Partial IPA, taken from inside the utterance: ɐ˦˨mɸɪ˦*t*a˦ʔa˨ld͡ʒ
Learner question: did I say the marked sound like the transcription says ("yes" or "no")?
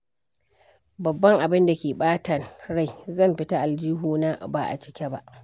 yes